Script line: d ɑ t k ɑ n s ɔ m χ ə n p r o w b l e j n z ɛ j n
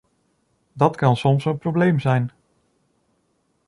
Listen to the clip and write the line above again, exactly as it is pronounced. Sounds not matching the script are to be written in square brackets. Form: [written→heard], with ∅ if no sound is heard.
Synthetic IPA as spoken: d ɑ t k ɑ n s ɔ m [χ→s] ə n p r o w b l e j [n→m] z ɛ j n